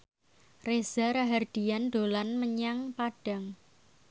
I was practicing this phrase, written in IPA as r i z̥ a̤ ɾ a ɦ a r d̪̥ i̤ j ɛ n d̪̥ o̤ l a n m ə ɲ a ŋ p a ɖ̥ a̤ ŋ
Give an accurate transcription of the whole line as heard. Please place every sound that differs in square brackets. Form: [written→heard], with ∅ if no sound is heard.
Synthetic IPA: r [i→e] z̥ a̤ ɾ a ɦ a r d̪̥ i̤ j [ɛ→a] n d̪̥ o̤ l a n m ə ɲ a ŋ p a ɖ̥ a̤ ŋ

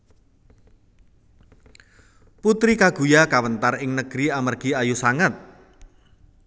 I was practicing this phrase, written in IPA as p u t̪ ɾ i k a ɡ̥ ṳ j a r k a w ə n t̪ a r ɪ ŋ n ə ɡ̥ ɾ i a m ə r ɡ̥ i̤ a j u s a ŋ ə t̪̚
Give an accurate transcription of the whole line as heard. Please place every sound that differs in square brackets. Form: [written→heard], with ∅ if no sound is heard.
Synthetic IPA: p u t̪ ɾ i k a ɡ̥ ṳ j a [r→∅] k a w ə n t̪ a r ɪ ŋ n ə ɡ̥ ɾ i a m ə r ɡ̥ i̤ a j u s a ŋ ə t̪̚

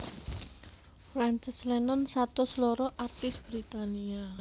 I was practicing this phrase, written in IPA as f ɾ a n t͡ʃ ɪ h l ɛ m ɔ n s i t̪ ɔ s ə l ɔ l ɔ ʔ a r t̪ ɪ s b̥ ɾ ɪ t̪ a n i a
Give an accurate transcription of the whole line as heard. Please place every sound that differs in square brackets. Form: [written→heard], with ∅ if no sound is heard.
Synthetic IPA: f ɾ a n t͡ʃ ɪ [h→s] l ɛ [m→n] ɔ n s [i→a] t̪ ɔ s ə l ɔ [l→ɾ] ɔ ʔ a r t̪ ɪ s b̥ ɾ [ɪ→i] t̪ a n i a

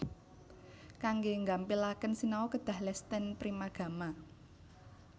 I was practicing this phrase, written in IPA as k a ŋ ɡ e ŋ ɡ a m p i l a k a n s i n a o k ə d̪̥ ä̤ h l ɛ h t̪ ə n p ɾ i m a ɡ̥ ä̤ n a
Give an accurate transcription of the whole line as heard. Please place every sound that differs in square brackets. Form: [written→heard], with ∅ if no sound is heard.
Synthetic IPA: k a ŋ ɡ e ŋ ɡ a m p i l a k [a→ə] n s i n a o k ə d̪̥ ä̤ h l ɛ [h→s] t̪ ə n p ɾ i m a ɡ̥ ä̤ [n→m] a

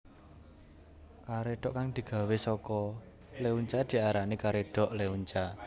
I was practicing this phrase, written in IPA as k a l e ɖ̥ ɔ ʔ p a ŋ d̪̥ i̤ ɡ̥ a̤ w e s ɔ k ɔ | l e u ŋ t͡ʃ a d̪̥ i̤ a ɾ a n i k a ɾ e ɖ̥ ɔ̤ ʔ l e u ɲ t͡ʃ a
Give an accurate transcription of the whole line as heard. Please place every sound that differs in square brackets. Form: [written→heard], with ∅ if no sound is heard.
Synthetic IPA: k a [l→ɾ] e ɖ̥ ɔ ʔ [p→k] a ŋ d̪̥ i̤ ɡ̥ a̤ w e s ɔ k ɔ | l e u [ŋ→ɲ] t͡ʃ a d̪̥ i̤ a ɾ a n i k a ɾ e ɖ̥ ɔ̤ ʔ l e u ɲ t͡ʃ a

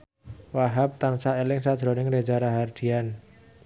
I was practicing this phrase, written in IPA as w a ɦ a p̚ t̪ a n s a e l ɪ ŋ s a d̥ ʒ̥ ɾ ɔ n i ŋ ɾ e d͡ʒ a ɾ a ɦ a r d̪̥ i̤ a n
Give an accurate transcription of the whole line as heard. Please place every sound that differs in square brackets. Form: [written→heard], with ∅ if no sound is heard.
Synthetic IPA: w a ɦ a p̚ t̪ a n s a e l ɪ ŋ s a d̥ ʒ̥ ɾ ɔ n [i→ɪ] ŋ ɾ e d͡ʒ a ɾ a ɦ a r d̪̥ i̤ a n

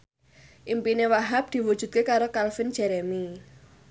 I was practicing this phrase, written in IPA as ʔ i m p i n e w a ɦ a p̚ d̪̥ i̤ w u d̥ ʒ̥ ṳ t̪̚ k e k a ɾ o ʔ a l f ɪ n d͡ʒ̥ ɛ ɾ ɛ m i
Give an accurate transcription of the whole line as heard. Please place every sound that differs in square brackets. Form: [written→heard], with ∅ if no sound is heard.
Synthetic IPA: ʔ i m p i n e w a ɦ a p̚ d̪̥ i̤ w u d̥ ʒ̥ ṳ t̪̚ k e k a ɾ o [ʔ→k] a l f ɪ n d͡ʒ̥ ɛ ɾ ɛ m i

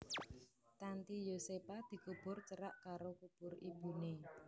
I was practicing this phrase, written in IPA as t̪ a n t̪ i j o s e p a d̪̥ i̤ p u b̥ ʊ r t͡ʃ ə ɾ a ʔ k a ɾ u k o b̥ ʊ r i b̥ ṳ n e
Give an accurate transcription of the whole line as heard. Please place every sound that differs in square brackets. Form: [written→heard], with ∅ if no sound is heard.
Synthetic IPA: t̪ a n t̪ i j o s e p a d̪̥ i̤ [p→k] u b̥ ʊ r t͡ʃ ə ɾ a ʔ k a ɾ [u→o] k [o→u] b̥ ʊ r i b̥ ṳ n e

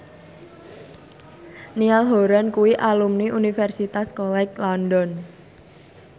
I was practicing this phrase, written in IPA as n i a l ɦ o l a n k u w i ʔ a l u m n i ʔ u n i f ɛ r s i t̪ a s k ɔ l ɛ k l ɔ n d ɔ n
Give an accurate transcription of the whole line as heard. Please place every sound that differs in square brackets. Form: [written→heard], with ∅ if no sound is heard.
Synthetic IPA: n i a l ɦ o [l→ɾ] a n k u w i ʔ a l u m n i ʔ u n i f ɛ r s i t̪ a s k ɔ l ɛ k l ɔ n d ɔ n

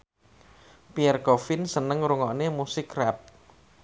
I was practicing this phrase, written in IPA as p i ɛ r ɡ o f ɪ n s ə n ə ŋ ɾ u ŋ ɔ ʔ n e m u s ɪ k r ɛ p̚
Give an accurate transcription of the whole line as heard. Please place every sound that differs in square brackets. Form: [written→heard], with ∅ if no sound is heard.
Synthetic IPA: p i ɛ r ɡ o f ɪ n s ə n ə ŋ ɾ u ŋ ɔ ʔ n e m u s ɪ k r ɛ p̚

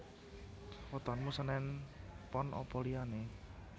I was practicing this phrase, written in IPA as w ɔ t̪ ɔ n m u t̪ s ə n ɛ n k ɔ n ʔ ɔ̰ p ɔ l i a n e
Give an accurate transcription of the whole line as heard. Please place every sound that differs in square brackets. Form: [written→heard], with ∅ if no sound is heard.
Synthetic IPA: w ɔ t̪ ɔ n m u [t̪→∅] s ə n ɛ n [k→p] ɔ n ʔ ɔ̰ p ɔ l i a n e

